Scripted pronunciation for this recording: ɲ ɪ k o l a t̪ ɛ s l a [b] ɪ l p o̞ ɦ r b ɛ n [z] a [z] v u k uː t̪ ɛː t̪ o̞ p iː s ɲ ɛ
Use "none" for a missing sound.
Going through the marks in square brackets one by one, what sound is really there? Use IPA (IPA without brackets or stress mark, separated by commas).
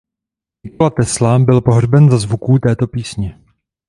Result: b, z, z